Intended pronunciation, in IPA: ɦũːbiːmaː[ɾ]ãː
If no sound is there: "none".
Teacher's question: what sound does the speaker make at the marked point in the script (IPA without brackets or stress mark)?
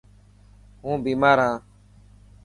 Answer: ɾ